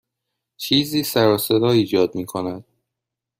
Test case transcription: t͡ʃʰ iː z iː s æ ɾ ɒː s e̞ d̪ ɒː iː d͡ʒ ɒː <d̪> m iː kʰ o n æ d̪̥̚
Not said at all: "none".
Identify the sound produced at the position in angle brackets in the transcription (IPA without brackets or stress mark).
d̪